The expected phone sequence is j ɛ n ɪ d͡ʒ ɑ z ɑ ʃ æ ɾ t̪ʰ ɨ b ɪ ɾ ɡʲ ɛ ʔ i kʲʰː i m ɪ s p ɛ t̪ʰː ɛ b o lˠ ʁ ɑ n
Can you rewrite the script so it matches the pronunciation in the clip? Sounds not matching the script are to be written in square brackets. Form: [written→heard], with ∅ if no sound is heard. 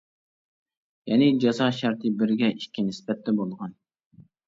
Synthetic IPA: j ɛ n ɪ d͡ʒ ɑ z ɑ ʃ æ ɾ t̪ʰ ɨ b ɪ ɾ ɡʲ ɛ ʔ i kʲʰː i [m→n] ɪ s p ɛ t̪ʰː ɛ b o lˠ ʁ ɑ n